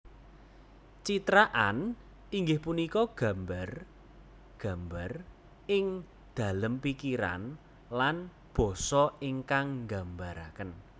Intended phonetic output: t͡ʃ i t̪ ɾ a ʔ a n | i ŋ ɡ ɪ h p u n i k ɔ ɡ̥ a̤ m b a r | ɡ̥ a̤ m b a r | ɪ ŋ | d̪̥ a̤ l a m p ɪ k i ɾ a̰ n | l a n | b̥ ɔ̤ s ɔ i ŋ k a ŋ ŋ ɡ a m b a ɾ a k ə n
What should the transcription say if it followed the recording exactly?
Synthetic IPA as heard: t͡ʃ i t̪ ɾ a ʔ a n | i ŋ ɡ ɪ h p u n i k ɔ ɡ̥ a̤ m b a r | ɡ̥ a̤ m b a r | ɪ ŋ | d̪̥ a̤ l ə m p i k i ɾ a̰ n | l a n | b̥ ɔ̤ s ɔ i ŋ k a ŋ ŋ ɡ a m b a ɾ a k ə n